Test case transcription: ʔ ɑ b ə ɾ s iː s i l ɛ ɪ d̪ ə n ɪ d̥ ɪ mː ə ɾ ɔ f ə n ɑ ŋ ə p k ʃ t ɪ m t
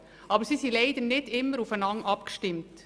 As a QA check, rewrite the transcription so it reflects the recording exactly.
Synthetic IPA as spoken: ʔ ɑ b ə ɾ s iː s i l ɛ ɪ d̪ ə n ɪ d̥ ɪ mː ə ɾ u f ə n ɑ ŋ ɑ p k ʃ t ɪ m t